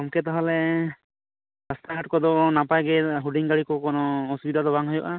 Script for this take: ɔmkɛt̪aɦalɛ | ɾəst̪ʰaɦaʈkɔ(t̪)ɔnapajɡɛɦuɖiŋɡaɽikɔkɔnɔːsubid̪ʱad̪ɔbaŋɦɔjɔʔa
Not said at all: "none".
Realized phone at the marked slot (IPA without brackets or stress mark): d̪